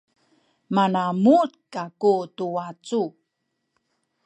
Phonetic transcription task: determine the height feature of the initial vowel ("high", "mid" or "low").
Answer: low